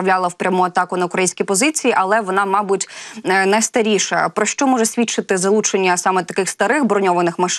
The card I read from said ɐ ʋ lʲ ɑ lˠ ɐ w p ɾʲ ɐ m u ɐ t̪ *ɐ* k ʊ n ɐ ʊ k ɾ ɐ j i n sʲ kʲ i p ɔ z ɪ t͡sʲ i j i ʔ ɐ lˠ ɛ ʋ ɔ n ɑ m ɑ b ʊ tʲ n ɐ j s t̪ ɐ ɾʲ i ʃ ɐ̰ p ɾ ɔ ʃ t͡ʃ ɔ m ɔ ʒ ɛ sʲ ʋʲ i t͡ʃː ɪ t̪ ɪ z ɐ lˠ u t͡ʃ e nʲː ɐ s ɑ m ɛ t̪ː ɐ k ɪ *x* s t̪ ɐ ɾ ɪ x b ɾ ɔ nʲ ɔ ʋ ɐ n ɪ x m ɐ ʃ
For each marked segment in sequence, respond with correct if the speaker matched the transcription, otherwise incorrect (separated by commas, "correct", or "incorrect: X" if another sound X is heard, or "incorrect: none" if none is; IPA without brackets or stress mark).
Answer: incorrect: ɑ, correct